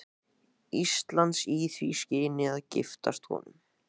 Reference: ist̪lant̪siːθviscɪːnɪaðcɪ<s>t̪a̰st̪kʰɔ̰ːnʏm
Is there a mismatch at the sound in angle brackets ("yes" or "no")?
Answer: yes